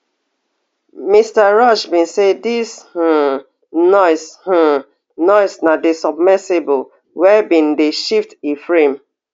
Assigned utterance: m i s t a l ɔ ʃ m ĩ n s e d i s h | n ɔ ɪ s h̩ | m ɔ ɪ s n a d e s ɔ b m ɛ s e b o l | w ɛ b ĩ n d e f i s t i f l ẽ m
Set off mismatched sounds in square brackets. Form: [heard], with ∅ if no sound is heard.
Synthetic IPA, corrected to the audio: m i s t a [ɹ] ɔ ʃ [b] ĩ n s e d i s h | n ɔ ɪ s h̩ | [n] ɔ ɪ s n a d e s ɔ b m ɛ s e b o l | w ɛ b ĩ n d e [ʃ] i [f] t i f [ɹ] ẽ m